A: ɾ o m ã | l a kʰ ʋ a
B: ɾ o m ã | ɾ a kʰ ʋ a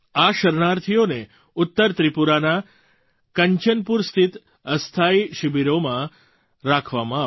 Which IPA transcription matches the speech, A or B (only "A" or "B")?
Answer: B